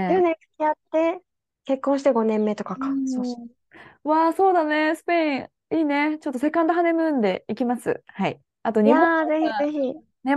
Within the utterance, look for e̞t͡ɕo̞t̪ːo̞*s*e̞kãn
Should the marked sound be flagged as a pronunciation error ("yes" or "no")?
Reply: no